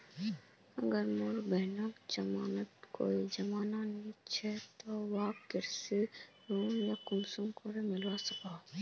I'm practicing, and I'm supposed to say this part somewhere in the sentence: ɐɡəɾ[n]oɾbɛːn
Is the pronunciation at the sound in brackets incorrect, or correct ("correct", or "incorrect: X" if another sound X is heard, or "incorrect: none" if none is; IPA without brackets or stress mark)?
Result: incorrect: m